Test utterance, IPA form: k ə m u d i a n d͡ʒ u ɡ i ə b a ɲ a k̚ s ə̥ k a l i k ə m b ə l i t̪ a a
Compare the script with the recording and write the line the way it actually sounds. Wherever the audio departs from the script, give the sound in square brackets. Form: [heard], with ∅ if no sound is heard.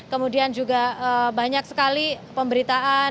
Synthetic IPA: k ə m u d i a n d͡ʒ u ɡ [a] ə b a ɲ a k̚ s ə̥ k a l i [p] ə m b ə [ɾ] i t̪ a a